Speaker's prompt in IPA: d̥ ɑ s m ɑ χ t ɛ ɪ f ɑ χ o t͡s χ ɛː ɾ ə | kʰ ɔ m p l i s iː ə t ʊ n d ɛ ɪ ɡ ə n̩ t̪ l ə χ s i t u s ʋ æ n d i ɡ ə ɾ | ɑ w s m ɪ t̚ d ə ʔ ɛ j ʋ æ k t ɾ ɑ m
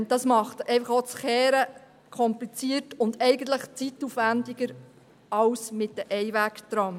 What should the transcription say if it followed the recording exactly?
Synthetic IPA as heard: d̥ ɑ s m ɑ χ t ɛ ɪ f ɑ χ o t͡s χ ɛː ɾ ə | kʰ ɔ m p l i t͡s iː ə t ʊ n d ɛ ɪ ɡ ə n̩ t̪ l ə χ t͡s i t u f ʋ æ n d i ɡ ə ɾ | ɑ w s m ɪ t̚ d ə ʔ ɛ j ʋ æ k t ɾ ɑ m